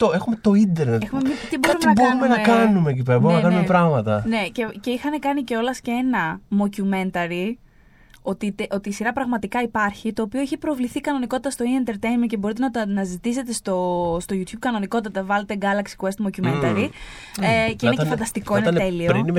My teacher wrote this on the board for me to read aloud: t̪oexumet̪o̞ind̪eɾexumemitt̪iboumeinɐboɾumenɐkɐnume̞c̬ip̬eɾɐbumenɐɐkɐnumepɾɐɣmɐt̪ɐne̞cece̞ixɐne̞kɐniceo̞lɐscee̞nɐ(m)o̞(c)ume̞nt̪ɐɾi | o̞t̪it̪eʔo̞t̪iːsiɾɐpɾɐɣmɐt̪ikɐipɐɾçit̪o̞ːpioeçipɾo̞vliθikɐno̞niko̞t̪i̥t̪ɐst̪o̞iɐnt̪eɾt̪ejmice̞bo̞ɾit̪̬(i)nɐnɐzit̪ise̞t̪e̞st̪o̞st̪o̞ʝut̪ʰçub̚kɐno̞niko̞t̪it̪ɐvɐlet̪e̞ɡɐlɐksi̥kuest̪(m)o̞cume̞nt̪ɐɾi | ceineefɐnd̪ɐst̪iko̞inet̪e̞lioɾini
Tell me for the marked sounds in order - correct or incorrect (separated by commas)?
correct, correct, incorrect, correct